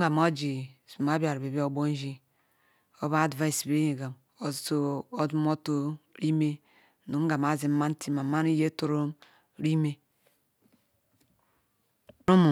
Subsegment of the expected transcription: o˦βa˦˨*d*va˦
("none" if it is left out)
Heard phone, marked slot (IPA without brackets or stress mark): d